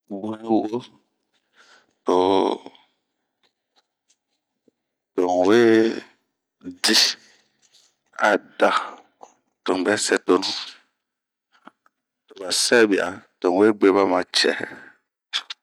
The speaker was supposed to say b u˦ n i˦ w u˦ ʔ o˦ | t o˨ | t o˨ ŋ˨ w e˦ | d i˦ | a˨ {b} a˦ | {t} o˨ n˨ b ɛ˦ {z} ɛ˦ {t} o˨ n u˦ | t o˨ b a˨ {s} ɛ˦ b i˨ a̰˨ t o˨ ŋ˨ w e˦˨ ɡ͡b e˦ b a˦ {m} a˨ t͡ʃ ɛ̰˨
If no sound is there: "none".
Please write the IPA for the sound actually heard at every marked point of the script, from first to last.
d, t, s, t, s, m

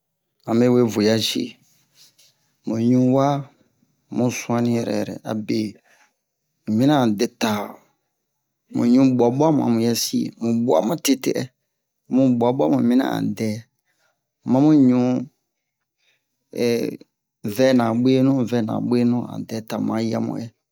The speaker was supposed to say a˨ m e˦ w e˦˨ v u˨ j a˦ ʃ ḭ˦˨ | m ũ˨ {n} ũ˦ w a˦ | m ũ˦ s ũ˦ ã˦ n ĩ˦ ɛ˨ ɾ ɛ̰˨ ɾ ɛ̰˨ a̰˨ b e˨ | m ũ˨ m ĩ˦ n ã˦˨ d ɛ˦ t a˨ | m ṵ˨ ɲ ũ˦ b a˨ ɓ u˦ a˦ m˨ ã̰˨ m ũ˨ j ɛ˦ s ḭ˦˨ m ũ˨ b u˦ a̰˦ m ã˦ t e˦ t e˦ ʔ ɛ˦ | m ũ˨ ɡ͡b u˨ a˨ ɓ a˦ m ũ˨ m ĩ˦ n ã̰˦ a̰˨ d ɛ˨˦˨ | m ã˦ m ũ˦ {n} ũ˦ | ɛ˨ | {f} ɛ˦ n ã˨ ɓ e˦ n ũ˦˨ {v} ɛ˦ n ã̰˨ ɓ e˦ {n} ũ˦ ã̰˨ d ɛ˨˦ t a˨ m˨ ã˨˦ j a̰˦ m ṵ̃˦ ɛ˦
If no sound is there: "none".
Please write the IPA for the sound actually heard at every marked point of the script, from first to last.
ɲ, ɲ, v, v, n

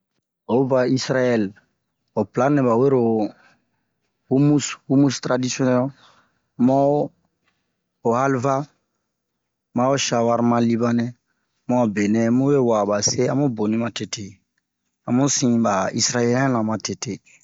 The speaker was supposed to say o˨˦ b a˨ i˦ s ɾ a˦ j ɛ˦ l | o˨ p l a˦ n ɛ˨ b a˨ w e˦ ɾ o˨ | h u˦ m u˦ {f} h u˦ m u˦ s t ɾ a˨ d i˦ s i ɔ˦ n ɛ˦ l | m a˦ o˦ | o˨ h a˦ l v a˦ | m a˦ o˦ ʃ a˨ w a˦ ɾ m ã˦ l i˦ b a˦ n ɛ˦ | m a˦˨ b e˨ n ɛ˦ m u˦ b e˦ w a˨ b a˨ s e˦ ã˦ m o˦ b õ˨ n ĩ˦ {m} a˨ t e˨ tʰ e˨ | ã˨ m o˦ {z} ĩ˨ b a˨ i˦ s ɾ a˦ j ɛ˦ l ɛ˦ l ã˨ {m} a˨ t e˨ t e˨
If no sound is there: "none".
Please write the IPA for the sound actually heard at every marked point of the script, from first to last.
s, m, s, m

